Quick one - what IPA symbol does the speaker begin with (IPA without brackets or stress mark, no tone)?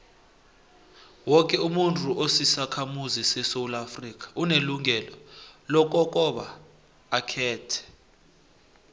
w